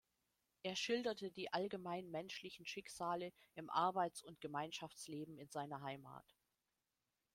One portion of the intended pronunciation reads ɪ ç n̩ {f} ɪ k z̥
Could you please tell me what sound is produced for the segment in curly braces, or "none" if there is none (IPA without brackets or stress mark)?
ʃ